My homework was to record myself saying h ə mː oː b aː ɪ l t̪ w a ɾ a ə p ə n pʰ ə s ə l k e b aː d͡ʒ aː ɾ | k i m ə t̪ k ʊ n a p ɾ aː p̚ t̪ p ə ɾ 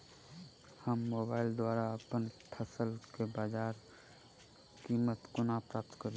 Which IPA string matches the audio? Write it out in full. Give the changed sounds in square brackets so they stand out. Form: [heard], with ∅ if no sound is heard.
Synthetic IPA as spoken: h ə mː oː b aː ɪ l [d̪] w a ɾ a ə p ə n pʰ ə s ə l k e b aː d͡ʒ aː ɾ | k i m ə t̪ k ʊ n a p ɾ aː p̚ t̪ [k] ə ɾ